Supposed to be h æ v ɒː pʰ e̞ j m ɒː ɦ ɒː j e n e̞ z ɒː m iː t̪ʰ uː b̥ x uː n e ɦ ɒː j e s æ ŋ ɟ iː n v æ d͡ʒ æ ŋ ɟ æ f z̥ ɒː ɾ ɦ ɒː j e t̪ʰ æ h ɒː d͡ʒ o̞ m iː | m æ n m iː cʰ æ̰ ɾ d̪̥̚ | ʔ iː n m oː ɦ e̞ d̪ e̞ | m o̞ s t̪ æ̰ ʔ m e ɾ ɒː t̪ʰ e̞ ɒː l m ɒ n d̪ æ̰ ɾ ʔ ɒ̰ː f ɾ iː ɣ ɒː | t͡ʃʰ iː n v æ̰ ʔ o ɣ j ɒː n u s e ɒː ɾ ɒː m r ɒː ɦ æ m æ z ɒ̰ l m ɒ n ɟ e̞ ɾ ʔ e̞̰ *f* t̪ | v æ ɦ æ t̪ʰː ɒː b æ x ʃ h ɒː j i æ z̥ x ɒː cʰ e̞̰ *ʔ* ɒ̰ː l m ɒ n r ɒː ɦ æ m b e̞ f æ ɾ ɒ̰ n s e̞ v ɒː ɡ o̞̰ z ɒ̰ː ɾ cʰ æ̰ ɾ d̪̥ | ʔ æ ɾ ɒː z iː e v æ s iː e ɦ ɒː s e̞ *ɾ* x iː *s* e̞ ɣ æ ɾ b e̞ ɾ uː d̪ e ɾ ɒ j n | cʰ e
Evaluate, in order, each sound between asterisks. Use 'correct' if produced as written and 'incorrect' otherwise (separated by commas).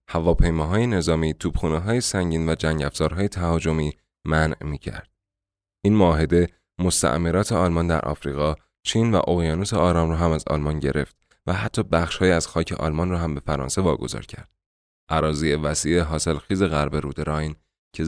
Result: correct, correct, incorrect, incorrect